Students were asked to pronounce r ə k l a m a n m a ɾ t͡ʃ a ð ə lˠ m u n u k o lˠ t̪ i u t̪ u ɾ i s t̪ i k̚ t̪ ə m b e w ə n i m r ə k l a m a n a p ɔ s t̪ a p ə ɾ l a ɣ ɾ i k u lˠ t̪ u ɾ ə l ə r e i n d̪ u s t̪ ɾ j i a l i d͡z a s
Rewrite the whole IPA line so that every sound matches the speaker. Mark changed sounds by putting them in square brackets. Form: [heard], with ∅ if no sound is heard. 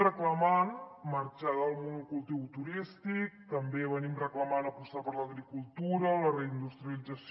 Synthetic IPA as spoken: r ə k l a m a n m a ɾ t͡ʃ a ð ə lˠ m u n u k [u] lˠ t̪ i [w] t̪ u ɾ i s t̪ i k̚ t̪ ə m b e [β] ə n i m r ə k l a m a n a p [u] s t̪ a p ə ɾ l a ɣ ɾ i k u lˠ t̪ u ɾ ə l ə r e i n d̪ u s t̪ ɾ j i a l i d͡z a s